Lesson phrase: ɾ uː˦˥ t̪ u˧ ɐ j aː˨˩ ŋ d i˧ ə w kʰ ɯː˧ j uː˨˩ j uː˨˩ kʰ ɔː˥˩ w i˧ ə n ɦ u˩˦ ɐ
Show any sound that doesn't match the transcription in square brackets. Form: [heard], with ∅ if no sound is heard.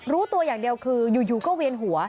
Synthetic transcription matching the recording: ɾ uː˦˥ t̪ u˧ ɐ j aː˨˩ ŋ d i˧ ə w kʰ ɯː˧ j uː˨˩ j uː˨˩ [k] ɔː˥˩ w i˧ ə n ɦ u˩˦ ɐ

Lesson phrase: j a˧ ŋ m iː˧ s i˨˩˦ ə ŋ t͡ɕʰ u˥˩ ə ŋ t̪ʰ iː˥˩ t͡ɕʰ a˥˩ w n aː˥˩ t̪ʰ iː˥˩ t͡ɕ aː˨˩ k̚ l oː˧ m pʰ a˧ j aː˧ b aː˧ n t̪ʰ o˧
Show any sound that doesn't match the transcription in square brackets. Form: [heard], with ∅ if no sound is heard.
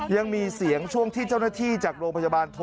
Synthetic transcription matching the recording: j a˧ ŋ m iː˧ s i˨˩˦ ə ŋ t͡ɕʰ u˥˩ ə ŋ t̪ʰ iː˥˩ [t͡ɕ] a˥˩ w n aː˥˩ t̪ʰ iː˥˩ t͡ɕ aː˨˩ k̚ [ɾ] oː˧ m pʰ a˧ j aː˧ b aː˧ n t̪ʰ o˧

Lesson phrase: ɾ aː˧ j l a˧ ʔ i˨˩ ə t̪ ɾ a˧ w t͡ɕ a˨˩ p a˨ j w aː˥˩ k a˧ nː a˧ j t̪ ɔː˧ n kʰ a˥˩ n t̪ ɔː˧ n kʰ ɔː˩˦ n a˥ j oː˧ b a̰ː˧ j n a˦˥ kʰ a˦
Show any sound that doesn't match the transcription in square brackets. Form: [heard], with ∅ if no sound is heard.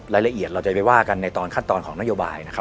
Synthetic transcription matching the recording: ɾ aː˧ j l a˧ ʔ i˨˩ ə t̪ ɾ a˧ w t͡ɕ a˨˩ p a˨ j w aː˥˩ k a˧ nː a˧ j t̪ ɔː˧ n kʰ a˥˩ n t̪ ɔː˧ n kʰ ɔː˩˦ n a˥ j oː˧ b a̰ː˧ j n a˦˥ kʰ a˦

